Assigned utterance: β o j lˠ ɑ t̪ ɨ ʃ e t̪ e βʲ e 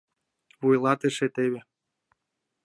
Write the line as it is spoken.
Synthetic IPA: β u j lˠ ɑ t̪ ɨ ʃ e t̪ e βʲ e